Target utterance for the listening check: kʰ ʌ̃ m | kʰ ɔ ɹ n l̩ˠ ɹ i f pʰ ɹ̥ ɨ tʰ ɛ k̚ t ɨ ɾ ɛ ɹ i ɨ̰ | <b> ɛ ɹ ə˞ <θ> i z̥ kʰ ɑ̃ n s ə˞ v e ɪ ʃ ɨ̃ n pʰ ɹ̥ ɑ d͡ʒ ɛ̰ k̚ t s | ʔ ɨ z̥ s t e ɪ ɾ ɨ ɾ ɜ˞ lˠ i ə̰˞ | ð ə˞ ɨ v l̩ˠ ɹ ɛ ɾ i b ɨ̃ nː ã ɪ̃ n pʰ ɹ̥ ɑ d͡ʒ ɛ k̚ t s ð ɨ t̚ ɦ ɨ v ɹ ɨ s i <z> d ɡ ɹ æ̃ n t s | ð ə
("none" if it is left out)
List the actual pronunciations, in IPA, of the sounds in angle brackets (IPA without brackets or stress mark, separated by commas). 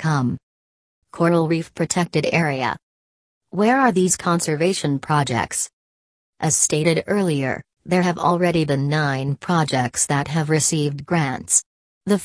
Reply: w, ð, v